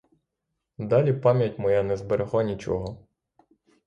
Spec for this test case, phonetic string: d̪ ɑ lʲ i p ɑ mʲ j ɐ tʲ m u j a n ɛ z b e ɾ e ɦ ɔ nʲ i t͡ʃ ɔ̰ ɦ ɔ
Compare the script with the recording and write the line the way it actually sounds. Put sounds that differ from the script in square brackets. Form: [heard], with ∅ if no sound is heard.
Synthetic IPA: d̪ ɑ lʲ i p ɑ mʲ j ɐ tʲ m [ɔ] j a n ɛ z b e ɾ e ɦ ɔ nʲ i t͡ʃ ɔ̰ ɦ ɔ